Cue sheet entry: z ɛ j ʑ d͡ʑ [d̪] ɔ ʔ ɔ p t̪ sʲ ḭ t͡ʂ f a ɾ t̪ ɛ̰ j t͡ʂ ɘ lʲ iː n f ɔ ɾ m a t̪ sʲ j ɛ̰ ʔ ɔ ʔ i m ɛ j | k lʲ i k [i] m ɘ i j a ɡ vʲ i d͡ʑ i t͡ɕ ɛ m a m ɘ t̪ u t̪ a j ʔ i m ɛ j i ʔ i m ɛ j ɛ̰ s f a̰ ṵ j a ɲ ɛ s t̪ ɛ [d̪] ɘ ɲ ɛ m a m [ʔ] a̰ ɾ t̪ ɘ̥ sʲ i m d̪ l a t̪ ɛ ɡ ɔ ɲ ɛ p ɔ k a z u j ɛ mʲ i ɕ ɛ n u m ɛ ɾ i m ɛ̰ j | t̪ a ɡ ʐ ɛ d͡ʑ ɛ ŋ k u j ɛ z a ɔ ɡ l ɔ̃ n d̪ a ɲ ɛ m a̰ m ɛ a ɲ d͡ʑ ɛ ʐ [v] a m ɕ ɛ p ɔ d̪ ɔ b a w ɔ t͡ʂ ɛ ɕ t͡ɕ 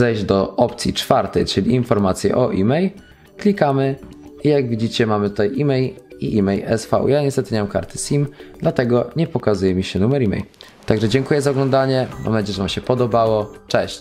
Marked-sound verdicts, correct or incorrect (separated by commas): correct, incorrect, incorrect, incorrect, correct